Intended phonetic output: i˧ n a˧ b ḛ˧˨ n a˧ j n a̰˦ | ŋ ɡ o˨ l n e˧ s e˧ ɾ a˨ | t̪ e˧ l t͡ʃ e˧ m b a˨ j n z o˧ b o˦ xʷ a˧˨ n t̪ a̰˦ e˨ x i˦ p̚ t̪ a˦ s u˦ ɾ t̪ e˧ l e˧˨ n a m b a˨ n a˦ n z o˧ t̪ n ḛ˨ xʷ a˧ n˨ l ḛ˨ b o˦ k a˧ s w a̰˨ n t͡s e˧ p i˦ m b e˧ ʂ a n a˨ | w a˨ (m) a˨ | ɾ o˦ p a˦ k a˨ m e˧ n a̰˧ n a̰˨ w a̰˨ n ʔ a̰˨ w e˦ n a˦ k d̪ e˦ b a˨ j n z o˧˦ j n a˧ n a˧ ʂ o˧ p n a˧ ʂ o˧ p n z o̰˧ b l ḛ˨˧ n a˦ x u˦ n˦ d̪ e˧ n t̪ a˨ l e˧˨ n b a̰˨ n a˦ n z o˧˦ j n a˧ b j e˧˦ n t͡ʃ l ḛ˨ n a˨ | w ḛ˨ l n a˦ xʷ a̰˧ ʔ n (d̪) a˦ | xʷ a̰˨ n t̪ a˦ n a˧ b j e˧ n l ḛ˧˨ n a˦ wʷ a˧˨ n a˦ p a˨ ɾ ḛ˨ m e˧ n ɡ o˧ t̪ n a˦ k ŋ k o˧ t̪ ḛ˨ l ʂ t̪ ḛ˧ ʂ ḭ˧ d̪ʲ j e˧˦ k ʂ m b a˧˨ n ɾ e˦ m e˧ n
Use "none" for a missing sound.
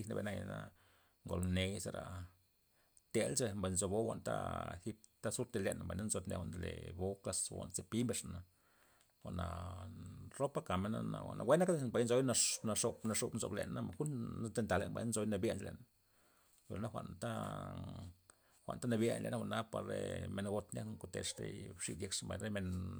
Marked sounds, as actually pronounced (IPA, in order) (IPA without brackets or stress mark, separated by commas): n, t̪